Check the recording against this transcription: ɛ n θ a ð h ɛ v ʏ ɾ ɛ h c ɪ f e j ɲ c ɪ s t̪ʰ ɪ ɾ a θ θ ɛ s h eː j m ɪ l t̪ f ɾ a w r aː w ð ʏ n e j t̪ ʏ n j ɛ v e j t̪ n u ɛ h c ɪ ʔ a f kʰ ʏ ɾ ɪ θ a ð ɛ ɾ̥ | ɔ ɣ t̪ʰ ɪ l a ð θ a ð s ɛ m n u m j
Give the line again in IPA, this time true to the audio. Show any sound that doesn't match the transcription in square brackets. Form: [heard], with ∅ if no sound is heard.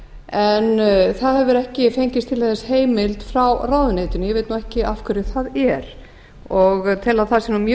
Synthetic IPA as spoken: ɛ n θ a ð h ɛ v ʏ ɾ ɛ h c ɪ f e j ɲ c ɪ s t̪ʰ ɪ [l] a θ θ ɛ s h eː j m ɪ l t̪ f ɾ a w r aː w ð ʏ n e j t̪ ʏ n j ɛ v e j t̪ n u ɛ h c ɪ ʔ a f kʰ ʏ ɾ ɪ θ a ð ɛ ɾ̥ | ɔ ɣ t̪ʰ ɪ l a ð θ a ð s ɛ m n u m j